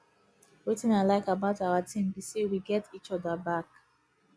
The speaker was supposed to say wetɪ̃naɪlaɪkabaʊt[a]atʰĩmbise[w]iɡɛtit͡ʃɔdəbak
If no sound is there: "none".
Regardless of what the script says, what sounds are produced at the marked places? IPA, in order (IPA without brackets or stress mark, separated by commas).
a, w